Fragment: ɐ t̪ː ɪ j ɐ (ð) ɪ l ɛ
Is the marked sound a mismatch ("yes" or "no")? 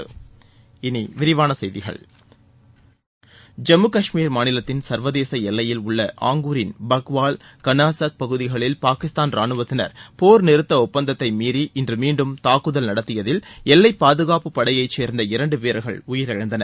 no